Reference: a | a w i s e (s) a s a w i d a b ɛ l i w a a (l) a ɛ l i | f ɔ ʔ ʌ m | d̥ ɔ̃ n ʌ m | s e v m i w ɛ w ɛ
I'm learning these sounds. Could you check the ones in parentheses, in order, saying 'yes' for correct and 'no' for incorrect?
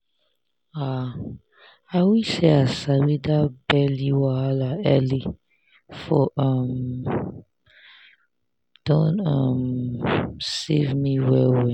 no, yes

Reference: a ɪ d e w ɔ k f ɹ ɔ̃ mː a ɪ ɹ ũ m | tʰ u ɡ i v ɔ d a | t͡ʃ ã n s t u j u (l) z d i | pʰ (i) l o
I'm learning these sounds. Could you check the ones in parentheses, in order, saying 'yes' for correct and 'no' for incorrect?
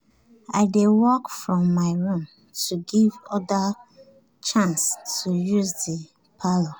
no, no

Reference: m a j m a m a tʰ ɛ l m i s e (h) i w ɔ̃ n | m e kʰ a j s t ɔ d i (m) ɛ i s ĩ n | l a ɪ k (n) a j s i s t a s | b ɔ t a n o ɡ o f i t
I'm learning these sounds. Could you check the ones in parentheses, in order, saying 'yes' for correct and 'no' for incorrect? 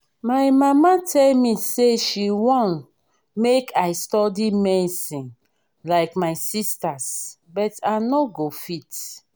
no, yes, no

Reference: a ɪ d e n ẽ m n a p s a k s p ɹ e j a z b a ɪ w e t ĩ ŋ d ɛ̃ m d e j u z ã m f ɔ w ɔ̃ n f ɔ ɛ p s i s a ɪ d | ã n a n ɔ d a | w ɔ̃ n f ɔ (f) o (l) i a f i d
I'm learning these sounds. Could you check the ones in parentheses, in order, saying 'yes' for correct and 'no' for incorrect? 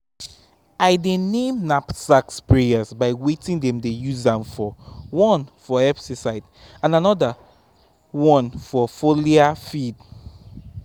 yes, yes

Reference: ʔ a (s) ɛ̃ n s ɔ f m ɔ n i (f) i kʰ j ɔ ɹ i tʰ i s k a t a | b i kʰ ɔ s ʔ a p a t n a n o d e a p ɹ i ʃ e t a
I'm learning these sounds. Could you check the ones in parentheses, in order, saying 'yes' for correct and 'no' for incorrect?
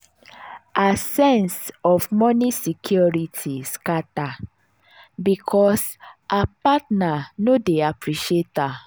yes, no

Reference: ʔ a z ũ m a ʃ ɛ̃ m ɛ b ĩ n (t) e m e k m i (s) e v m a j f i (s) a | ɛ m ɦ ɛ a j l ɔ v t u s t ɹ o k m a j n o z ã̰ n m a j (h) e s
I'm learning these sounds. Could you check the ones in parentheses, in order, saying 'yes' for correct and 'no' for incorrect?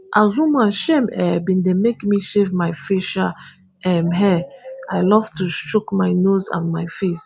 no, no, no, no

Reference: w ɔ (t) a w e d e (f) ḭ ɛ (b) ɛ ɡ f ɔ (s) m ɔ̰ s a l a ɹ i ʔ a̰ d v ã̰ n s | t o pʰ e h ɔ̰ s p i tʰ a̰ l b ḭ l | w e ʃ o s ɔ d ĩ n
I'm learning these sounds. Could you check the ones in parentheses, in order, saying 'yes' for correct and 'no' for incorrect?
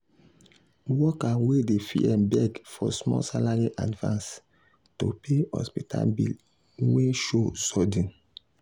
no, yes, yes, yes

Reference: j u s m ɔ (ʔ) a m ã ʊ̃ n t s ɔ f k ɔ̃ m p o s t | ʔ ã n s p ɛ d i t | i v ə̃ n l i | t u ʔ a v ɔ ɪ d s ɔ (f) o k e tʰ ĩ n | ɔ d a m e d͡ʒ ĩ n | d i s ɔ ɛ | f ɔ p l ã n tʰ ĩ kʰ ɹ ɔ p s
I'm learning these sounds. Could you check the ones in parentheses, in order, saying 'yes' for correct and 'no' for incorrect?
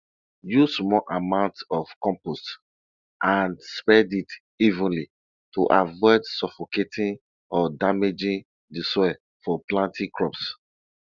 yes, yes

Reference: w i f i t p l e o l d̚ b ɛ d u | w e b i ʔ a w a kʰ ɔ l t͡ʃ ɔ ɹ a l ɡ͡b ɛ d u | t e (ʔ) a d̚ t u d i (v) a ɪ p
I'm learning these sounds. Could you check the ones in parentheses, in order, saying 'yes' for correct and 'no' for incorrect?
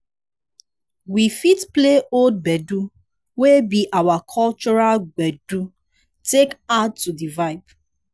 no, yes

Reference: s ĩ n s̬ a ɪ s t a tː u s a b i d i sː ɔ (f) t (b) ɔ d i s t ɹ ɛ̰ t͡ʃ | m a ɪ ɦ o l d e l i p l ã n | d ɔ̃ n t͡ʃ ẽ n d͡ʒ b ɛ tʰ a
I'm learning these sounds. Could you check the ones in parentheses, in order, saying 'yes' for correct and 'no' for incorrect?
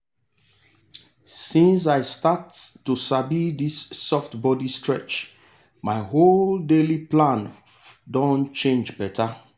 yes, yes

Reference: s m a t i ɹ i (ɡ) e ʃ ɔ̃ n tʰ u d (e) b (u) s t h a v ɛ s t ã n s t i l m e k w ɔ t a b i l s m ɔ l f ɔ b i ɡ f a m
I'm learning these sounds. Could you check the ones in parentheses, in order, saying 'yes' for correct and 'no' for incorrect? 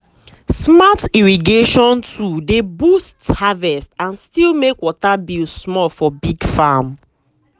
yes, yes, yes

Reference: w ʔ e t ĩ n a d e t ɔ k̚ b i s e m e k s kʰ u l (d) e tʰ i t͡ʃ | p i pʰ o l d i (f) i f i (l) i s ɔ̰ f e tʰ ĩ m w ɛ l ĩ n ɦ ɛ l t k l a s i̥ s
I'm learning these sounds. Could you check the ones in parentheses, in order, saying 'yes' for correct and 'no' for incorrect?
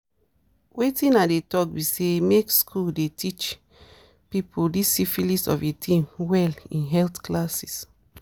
yes, no, yes

